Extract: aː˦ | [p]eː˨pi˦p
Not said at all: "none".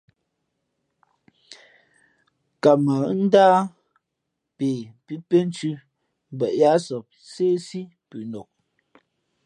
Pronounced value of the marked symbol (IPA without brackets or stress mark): p